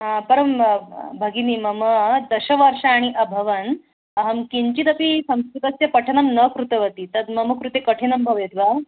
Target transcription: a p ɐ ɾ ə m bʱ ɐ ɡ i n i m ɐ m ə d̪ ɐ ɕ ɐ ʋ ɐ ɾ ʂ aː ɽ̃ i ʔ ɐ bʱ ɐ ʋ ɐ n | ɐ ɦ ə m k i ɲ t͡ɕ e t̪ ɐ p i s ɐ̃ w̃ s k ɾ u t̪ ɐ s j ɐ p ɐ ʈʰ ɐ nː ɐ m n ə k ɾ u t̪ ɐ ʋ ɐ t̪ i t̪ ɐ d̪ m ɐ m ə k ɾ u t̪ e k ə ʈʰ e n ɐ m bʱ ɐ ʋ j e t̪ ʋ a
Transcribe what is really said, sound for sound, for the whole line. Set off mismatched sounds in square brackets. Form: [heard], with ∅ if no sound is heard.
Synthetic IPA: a p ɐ ɾ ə m bʱ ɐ ɡ i n i m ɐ m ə d̪ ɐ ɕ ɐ ʋ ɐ ɾ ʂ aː ɽ̃ i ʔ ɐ bʱ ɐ ʋ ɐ n | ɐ ɦ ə m k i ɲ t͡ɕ [i] t̪ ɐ p i s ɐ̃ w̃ s k ɾ u t̪ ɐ s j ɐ p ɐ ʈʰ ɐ [n] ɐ m n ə k ɾ u t̪ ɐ ʋ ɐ t̪ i t̪ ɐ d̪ m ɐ m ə k ɾ u t̪ e k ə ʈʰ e n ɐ m bʱ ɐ ʋ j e t̪ ʋ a